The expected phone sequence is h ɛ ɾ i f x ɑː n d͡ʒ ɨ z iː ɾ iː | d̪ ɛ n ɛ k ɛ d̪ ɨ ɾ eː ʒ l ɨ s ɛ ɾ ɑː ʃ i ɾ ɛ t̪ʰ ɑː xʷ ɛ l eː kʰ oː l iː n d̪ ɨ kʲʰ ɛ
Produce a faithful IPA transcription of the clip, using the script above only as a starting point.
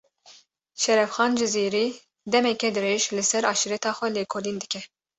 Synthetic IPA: ʃ ɛ ɾ ɛ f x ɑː n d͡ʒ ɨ z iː ɾ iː | d̪ ɛ m ɛ k ɛ d̪ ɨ ɾ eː ʒ l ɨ s ɛ ɾ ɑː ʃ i ɾ ɛ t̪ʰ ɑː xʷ ɛ l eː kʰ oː l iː n d̪ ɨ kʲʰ ɛ

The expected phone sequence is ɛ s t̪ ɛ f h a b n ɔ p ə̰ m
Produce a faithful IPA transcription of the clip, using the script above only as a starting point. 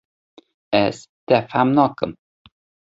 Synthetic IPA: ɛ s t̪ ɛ f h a m n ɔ k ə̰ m

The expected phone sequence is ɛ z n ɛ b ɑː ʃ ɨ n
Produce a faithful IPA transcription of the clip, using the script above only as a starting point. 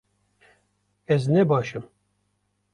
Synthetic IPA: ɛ z n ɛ b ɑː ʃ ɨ m

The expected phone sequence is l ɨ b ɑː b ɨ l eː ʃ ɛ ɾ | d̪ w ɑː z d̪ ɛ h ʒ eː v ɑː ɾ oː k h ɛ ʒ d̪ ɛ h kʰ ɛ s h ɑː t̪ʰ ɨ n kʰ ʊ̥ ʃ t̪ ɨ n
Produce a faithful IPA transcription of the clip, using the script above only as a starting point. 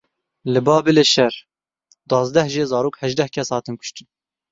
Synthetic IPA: l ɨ b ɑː b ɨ l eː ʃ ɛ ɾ | d̪ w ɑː z d̪ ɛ h ʒ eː z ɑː ɾ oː k h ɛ ʒ d̪ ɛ h kʰ ɛ s h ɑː t̪ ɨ n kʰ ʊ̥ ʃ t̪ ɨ n

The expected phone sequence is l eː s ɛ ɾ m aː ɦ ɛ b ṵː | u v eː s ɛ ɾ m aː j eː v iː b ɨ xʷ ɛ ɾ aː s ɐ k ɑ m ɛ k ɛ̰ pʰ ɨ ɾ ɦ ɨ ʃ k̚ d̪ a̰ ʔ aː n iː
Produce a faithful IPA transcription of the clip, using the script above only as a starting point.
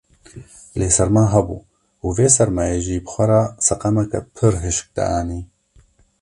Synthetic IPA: l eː s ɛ ɾ m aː ɦ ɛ b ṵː | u v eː s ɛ ɾ m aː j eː ʒ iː b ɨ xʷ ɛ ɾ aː s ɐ q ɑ m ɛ k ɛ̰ pʰ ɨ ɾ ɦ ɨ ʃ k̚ d̪ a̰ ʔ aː n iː

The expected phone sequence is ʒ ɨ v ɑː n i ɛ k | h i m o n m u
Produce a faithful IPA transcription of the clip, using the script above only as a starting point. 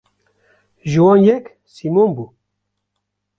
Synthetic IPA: ʒ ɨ w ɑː n j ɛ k | s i m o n b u

